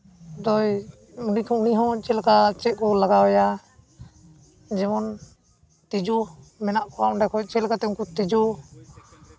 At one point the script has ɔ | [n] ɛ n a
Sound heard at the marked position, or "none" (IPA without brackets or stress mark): m